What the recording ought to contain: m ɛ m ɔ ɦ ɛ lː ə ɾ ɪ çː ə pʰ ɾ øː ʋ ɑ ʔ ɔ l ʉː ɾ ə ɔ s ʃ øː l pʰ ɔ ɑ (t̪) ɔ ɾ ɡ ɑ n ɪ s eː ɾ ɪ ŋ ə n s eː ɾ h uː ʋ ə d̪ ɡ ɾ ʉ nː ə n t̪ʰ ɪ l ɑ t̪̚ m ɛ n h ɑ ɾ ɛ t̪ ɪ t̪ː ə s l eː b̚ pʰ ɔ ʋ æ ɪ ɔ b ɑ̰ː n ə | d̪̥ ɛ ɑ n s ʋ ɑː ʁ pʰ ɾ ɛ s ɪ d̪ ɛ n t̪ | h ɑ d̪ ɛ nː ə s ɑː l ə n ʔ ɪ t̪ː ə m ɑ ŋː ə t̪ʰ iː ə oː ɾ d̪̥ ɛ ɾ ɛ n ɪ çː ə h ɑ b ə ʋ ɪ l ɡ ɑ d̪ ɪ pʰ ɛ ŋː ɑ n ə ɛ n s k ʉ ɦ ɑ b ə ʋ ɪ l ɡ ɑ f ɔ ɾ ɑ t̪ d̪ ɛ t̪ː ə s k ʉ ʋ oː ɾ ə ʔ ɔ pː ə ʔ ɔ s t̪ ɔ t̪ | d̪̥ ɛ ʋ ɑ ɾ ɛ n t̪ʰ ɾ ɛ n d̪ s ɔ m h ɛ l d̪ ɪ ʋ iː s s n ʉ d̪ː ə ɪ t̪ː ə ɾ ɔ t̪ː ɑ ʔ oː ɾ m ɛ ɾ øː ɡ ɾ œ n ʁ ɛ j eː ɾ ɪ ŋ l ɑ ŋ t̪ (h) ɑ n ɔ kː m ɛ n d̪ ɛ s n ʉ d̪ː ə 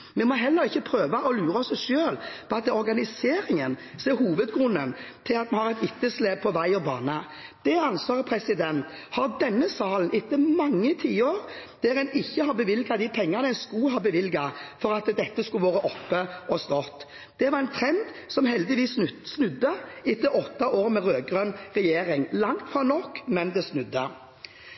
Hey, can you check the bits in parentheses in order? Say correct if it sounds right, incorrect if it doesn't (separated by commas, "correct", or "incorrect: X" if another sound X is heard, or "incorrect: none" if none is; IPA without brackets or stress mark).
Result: correct, incorrect: f